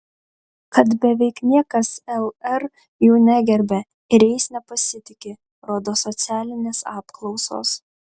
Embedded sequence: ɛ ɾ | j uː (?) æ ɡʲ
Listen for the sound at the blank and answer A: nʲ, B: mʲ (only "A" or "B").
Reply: A